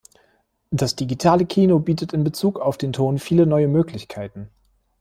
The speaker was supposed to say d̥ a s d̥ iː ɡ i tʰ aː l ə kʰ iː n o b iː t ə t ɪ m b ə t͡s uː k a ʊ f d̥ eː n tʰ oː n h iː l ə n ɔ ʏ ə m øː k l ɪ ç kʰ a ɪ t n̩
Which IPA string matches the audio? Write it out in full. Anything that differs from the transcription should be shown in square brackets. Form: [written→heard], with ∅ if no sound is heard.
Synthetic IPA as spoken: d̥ a s d̥ [iː→i] ɡ i tʰ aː l ə kʰ iː n o b iː t ə t ɪ [m→n] b ə t͡s uː k a ʊ f d̥ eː n tʰ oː n [h→f] iː l ə n ɔ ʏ ə m øː k l ɪ ç kʰ a ɪ t n̩